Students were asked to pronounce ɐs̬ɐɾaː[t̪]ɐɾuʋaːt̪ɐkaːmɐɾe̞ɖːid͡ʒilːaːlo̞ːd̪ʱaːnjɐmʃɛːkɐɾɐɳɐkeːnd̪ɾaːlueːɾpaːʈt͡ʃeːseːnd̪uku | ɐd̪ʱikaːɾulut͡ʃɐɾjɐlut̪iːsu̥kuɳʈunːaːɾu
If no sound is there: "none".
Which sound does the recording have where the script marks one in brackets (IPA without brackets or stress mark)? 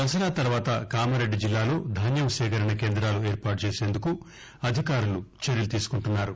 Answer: t̪